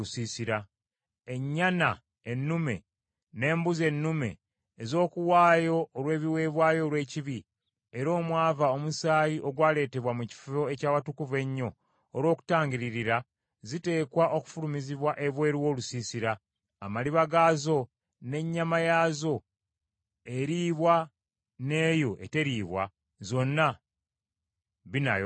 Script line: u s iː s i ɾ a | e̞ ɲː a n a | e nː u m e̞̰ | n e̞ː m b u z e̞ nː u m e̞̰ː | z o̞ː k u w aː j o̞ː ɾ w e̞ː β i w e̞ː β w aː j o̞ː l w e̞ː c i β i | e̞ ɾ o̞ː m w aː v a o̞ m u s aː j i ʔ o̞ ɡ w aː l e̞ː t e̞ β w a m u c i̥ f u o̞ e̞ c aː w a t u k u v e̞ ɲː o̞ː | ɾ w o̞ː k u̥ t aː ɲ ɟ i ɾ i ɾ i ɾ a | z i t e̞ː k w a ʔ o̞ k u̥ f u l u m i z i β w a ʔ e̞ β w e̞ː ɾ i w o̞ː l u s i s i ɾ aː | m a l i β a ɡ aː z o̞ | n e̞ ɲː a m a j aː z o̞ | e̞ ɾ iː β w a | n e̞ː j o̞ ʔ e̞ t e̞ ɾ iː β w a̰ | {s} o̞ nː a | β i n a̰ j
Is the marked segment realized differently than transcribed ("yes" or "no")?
yes